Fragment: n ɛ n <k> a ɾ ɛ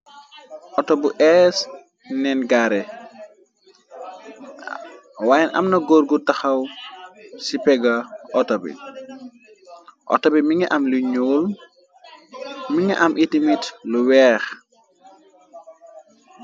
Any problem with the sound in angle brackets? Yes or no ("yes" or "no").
yes